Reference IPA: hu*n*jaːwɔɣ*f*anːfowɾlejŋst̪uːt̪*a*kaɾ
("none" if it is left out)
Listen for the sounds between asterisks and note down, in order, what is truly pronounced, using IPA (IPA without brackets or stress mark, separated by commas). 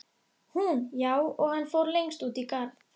n, h, i